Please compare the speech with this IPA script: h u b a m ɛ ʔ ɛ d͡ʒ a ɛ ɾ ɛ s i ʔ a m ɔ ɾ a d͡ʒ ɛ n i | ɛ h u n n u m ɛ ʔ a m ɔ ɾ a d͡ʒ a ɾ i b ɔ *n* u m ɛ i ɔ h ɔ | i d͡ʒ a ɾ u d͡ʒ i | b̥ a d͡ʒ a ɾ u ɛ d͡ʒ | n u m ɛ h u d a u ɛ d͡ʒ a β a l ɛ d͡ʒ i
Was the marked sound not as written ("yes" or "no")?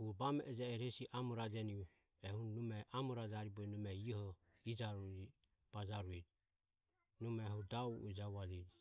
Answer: no